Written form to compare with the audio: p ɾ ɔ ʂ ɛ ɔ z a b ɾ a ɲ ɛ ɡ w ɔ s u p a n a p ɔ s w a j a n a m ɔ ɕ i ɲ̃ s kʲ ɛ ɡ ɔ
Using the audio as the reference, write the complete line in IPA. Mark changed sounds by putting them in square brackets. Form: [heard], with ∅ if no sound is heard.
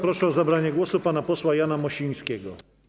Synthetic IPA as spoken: p ɾ ɔ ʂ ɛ ɔ z a b ɾ a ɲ ɛ ɡ w ɔ s u p a n a p ɔ s w a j a n a m ɔ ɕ i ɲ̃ s kʲ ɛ ɡ ɔ